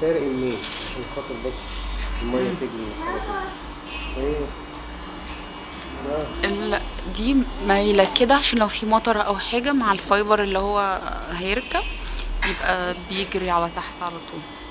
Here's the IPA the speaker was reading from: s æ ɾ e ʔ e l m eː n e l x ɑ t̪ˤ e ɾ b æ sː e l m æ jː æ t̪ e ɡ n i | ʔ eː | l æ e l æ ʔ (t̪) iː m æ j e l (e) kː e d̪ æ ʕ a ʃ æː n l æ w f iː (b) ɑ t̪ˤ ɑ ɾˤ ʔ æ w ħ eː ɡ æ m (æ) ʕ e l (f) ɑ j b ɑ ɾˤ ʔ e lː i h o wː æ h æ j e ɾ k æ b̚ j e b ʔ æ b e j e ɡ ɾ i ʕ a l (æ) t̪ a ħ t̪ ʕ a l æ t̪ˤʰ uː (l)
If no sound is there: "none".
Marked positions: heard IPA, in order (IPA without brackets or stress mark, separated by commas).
d̪, æ, m, a, f, æ, l